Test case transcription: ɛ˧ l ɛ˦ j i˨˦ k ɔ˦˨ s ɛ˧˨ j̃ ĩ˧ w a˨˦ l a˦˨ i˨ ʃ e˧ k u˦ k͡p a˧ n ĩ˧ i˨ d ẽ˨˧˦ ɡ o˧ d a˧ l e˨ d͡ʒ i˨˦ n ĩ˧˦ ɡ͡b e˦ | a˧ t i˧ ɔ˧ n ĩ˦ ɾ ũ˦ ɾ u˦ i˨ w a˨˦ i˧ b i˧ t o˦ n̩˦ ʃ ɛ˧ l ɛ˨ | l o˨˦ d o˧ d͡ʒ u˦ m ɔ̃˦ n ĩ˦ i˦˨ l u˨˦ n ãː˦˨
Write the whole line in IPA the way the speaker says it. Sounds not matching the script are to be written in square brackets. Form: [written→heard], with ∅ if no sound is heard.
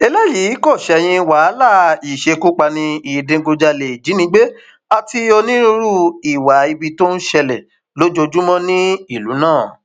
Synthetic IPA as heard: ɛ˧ l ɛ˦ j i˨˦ k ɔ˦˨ [s→ʃ] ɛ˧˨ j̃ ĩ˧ w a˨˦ l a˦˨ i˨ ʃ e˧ k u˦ k͡p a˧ n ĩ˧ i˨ d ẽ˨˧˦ ɡ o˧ [d→d͡ʒ] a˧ l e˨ d͡ʒ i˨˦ n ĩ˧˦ ɡ͡b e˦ | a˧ t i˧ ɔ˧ n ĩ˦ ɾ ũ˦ ɾ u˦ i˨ w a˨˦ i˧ b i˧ t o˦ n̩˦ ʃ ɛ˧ l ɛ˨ | l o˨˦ [d→d͡ʒ] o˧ d͡ʒ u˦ m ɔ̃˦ n ĩ˦ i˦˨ l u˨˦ n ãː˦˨

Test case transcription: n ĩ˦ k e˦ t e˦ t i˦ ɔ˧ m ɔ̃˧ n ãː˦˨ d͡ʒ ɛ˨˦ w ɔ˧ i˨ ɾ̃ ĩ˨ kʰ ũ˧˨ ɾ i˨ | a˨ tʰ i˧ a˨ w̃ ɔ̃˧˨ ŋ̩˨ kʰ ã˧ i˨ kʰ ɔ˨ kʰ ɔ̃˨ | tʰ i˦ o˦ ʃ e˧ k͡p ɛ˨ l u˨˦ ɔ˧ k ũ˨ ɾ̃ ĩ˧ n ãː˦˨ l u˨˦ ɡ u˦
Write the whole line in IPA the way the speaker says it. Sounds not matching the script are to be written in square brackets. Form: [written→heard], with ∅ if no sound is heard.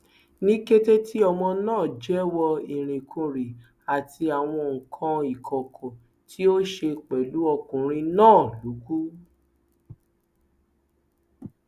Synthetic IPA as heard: n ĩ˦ k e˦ t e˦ t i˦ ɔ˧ m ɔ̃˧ n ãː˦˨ d͡ʒ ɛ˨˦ w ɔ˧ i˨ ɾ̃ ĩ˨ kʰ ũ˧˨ ɾ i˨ | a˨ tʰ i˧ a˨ w̃ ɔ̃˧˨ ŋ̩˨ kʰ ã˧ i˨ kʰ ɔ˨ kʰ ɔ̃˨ | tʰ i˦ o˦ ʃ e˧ k͡p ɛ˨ l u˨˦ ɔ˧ k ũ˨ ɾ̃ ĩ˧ n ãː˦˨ l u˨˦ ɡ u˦

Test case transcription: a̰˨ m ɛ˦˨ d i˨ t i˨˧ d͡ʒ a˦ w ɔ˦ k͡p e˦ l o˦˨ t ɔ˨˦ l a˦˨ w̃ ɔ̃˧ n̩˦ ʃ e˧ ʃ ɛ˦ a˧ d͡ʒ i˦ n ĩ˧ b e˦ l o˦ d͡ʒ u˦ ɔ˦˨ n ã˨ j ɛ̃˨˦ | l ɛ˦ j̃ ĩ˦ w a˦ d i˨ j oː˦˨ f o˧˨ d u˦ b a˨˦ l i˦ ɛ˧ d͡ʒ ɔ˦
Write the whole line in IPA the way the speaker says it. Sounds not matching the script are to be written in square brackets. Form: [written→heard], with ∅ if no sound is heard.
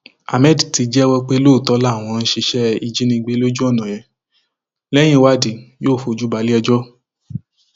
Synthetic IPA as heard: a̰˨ m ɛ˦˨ d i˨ t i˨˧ d͡ʒ [a˦→ɛ˦] w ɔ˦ k͡p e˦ l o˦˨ t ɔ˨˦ l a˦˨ w̃ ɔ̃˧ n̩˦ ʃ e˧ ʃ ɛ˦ [a˧→i˧] d͡ʒ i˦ n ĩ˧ [b→ɡ͡b] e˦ l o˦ d͡ʒ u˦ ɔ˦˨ n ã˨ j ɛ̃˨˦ | l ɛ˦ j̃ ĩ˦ w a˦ d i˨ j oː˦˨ f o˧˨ [d→d͡ʒ] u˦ b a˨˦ l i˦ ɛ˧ d͡ʒ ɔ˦

